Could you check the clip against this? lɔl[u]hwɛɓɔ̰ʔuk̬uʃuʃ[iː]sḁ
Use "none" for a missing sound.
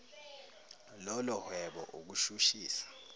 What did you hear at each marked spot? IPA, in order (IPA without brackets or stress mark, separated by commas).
ɔ, iː